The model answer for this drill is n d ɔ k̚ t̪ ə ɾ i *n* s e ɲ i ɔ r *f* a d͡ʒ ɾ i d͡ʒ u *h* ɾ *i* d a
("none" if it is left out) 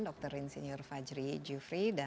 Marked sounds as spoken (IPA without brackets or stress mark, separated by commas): n, f, f, i